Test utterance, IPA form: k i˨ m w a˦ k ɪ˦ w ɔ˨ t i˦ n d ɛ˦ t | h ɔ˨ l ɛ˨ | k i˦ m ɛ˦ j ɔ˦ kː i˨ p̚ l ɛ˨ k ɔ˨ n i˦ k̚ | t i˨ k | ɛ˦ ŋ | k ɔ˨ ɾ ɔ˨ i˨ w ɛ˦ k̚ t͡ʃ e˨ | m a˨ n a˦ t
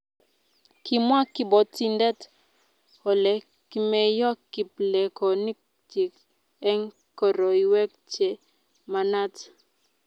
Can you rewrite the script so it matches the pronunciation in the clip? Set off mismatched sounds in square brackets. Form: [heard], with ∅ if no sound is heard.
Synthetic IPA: k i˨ m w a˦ k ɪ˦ [b] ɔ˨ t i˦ n d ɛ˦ t | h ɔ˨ l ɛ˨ | k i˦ m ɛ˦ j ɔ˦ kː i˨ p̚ l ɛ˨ k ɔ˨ n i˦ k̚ | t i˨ k | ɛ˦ ŋ | k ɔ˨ ɾ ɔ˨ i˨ w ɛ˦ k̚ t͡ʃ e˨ | m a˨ n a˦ t